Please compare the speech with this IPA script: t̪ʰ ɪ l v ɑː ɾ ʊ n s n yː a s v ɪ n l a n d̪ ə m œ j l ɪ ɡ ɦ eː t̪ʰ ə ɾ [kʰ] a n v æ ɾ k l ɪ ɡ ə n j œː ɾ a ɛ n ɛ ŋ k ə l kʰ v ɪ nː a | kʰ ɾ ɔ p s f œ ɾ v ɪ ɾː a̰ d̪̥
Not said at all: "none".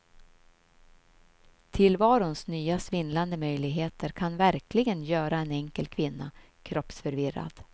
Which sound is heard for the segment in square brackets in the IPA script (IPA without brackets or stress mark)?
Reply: kʰ